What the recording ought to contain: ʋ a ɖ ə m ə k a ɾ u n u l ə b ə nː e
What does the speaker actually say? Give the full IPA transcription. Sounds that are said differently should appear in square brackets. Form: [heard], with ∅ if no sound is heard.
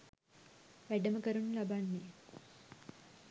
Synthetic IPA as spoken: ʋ [æ] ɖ ə m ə k [ə] ɾ u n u l [a] b [a] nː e